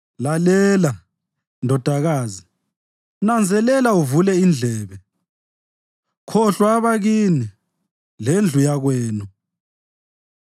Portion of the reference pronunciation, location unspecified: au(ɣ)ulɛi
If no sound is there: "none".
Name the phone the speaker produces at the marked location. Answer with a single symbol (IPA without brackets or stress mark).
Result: v